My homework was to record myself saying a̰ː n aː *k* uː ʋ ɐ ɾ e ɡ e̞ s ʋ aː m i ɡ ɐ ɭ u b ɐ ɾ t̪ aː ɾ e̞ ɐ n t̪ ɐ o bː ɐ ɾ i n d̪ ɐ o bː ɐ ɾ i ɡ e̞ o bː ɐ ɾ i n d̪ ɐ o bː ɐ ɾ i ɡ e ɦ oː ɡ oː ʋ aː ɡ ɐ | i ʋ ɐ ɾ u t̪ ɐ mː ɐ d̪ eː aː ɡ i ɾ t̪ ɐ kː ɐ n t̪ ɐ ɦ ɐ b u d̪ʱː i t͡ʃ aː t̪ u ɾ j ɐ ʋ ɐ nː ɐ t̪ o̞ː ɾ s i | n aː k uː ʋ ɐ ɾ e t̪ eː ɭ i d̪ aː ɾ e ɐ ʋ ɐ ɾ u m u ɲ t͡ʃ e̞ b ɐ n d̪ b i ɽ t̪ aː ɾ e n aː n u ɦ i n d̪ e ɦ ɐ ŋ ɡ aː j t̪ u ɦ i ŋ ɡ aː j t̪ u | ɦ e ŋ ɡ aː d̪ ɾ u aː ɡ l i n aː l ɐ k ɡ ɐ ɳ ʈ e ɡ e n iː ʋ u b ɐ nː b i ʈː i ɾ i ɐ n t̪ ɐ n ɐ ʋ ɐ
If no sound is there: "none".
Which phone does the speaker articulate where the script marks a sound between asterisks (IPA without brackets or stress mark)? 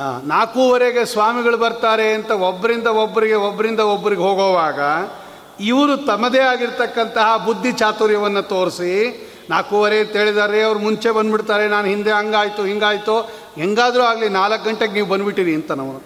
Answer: k